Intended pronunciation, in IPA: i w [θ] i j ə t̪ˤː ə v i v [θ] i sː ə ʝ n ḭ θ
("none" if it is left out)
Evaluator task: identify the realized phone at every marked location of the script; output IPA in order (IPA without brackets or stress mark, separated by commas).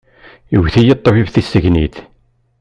θ, θ